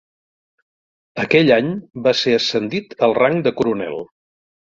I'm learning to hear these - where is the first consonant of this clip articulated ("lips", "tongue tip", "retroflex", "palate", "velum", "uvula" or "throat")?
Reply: velum